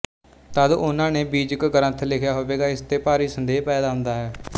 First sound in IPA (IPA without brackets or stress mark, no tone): t̪